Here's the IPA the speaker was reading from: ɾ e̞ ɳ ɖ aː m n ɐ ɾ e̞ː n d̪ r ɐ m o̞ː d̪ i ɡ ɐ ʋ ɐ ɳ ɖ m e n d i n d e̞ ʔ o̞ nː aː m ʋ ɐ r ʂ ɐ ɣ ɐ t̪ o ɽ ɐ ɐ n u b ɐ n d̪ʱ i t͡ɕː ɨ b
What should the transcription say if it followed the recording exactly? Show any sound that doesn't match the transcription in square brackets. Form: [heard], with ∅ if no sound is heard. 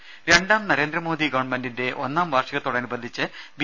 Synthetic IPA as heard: ɾ e̞ ɳ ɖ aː m n ɐ ɾ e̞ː n d̪ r ɐ m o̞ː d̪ i ɡ ɐ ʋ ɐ ɳ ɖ m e n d i n d e̞ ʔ o̞ nː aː m ʋ ɐ r ʂ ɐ ɣ ɐ t̪ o ɽ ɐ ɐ n u b ɐ n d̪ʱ i t͡ɕː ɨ b